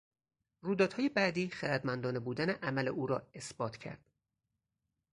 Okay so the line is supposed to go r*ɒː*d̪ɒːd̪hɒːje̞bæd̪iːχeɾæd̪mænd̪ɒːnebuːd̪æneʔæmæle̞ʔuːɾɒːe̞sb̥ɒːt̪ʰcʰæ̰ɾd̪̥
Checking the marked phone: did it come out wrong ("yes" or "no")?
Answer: yes